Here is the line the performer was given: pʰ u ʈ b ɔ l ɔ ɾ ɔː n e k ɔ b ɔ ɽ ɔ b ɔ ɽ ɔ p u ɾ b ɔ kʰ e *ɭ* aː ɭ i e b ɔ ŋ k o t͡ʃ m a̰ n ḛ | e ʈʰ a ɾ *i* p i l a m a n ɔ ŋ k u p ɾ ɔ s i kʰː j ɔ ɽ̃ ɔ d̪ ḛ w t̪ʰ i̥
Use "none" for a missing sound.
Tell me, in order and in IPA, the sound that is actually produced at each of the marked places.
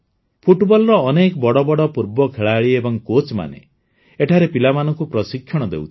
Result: ɭ, e

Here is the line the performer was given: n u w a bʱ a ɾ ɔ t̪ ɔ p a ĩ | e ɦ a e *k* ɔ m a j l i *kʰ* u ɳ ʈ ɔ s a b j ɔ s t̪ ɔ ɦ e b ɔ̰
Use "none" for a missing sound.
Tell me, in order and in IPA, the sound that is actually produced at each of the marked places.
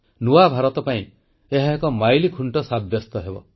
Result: k, kʰ

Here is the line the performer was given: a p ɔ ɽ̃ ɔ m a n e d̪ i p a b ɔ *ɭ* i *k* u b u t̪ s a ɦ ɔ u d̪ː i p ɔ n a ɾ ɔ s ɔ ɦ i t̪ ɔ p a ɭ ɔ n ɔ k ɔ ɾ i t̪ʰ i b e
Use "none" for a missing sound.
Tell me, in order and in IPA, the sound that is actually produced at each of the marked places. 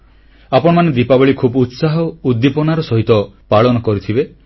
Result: ɭ, kʰ

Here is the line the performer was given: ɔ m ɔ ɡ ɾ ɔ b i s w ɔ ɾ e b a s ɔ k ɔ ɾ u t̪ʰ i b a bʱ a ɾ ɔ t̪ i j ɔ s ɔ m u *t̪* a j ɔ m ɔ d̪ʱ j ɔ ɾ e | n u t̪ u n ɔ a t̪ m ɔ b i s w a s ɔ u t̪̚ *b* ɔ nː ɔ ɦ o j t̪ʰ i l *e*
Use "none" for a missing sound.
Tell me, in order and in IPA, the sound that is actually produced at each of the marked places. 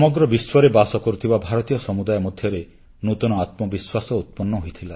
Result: d̪, p, a

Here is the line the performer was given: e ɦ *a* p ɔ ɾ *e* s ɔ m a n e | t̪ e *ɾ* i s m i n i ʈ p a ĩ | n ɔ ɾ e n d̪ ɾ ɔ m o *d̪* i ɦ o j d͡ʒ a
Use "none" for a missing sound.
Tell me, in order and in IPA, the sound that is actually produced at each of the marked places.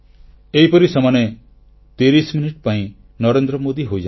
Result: i, i, ɾ, d̪

